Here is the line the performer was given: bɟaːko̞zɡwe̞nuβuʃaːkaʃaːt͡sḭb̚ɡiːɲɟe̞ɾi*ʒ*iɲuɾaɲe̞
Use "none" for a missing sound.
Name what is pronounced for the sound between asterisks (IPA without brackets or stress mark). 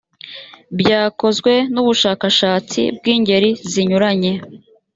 z